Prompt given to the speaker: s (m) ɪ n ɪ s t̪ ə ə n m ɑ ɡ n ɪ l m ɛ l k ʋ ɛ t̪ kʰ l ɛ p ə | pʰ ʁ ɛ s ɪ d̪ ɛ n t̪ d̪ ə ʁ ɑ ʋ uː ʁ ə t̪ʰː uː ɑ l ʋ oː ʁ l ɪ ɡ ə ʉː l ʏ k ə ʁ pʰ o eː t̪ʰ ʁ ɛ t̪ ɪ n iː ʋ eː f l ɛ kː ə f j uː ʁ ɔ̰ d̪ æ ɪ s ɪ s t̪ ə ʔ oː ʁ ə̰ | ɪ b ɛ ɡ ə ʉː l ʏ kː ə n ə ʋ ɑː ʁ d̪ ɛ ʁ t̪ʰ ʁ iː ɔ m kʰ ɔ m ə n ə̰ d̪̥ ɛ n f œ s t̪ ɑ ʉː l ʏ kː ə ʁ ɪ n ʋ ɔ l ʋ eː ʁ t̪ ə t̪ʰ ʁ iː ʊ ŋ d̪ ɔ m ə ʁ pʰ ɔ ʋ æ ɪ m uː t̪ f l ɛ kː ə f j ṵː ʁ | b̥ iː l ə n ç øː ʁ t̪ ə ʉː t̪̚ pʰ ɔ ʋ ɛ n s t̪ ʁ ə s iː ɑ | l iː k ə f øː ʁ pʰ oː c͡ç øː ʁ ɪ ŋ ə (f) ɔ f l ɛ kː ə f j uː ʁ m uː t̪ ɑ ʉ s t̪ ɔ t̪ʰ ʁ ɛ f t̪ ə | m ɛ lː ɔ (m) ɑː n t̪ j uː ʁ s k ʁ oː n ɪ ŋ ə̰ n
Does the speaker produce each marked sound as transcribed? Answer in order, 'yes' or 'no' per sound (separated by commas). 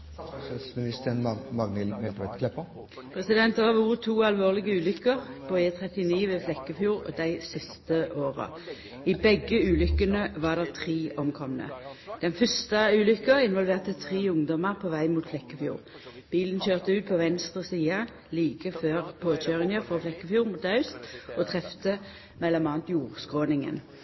yes, yes, yes